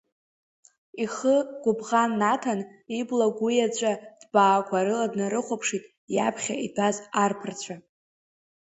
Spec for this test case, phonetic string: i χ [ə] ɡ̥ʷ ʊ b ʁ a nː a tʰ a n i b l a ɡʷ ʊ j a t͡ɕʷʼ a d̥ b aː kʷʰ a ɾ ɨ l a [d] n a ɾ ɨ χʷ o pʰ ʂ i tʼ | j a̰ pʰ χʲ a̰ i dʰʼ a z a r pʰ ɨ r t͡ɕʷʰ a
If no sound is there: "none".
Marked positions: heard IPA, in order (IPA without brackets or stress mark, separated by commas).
ə, d